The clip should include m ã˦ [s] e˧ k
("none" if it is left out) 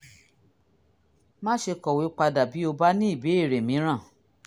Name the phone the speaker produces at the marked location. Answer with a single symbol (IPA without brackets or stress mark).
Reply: ʃ